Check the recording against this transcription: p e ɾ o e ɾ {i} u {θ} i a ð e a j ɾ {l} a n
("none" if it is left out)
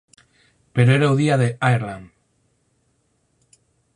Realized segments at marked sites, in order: a, ð, l

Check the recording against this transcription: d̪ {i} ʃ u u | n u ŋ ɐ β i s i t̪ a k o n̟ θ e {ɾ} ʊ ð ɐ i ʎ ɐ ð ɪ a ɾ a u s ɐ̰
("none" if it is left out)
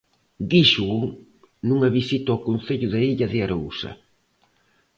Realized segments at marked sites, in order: i, ʎ

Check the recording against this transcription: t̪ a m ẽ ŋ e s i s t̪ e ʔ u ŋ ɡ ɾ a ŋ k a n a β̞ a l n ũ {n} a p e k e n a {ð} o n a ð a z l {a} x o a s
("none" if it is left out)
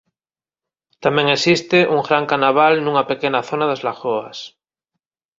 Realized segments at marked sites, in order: ŋ, θ, a

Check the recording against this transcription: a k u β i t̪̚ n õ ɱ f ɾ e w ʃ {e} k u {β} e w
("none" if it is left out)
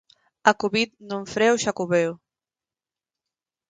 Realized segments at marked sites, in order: a, β

